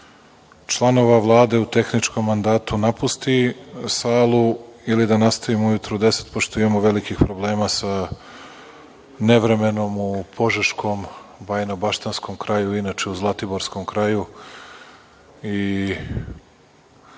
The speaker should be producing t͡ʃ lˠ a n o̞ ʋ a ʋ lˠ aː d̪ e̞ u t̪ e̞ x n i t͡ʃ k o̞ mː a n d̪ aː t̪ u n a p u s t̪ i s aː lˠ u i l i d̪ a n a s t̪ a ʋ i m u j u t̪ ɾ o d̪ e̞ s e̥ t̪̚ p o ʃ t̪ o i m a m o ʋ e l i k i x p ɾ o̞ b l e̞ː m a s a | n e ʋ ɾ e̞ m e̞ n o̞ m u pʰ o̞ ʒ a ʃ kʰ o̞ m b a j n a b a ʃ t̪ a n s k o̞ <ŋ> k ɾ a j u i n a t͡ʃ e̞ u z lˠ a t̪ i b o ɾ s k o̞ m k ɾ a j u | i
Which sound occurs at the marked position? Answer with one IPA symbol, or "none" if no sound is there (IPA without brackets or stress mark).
m